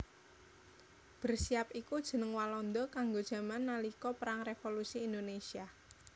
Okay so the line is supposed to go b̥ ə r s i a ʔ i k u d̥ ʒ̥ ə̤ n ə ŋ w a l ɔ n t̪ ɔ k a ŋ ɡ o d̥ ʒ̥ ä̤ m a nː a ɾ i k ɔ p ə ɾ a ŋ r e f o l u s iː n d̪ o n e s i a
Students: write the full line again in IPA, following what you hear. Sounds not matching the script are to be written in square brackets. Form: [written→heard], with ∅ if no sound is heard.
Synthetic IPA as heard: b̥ ə r s i a [ʔ→p] i k u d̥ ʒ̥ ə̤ n ə ŋ w a l ɔ n [t̪→d̪] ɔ k a ŋ ɡ o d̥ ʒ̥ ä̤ m a nː a [ɾ→l] i k ɔ p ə ɾ a ŋ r e f o l u s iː n d̪ o n e s i a